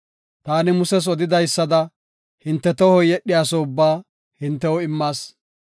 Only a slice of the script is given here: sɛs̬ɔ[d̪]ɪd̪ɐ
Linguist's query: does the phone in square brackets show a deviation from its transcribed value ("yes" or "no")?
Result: no